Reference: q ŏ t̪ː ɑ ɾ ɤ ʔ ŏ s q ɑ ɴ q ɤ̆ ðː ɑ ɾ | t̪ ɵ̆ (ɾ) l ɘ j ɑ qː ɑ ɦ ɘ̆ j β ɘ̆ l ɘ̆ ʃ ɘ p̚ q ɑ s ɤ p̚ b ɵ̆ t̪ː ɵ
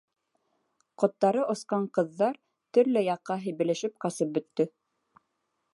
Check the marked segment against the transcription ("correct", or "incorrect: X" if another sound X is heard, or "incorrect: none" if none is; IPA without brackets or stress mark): correct